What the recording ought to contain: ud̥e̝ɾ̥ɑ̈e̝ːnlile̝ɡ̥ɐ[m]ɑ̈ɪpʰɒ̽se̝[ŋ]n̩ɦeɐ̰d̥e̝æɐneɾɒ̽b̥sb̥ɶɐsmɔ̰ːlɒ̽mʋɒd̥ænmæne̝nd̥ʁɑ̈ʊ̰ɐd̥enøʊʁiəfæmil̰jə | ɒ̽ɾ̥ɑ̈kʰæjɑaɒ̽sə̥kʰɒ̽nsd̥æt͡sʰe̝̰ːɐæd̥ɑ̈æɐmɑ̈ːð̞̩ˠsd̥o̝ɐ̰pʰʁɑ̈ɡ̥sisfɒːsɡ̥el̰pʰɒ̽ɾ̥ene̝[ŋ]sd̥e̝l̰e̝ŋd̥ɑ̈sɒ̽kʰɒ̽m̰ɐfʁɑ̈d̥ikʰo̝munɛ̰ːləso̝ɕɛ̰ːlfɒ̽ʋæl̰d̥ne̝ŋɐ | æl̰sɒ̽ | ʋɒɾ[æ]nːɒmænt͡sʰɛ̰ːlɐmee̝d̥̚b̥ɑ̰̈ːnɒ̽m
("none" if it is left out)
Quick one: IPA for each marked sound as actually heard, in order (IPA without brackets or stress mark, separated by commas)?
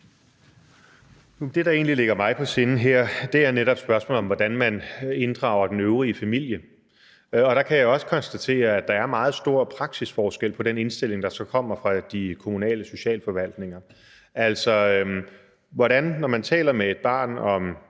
m, n, n, æ